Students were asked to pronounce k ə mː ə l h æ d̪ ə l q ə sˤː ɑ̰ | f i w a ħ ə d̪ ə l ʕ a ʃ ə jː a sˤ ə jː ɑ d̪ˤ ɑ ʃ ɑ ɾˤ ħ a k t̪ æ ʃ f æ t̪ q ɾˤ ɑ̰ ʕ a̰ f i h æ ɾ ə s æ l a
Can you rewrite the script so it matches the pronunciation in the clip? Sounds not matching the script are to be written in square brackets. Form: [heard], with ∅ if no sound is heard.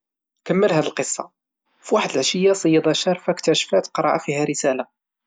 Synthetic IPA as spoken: k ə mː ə l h æ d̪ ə l q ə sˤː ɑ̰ | f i w a ħ ə d̪ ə l ʕ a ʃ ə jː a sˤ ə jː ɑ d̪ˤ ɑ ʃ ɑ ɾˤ [f] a k t̪ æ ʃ f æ t̪ q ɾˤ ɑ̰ ʕ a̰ f i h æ ɾ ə s æ l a